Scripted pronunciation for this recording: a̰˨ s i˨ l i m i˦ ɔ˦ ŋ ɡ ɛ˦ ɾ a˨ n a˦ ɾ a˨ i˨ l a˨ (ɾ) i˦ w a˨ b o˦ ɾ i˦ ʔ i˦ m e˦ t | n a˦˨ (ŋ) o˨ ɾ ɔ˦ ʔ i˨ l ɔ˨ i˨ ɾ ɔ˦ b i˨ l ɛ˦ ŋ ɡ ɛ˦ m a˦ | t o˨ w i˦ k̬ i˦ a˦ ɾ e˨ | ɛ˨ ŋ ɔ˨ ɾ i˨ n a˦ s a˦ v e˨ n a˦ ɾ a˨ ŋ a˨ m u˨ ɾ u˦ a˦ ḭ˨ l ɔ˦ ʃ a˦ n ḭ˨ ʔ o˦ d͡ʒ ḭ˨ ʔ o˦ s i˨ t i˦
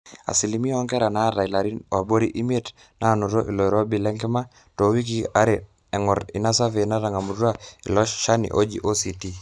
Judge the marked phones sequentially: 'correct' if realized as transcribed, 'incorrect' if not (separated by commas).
correct, incorrect